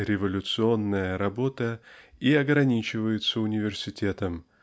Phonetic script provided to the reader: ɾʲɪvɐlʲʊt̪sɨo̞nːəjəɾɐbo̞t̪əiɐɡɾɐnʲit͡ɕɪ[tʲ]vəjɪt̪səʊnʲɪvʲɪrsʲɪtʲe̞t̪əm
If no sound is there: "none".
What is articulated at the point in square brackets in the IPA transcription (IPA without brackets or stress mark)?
none